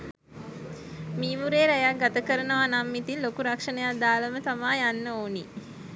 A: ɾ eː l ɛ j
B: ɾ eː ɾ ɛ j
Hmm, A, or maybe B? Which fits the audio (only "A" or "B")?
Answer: B